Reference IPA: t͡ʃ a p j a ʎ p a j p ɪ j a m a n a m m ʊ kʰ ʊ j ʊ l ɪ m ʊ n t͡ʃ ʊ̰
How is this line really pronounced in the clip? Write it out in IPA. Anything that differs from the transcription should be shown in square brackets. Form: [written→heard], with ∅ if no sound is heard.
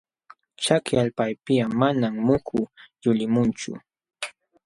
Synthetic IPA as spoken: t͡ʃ a [p→k] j a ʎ p a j p ɪ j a m a n a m m ʊ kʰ ʊ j ʊ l ɪ m ʊ n t͡ʃ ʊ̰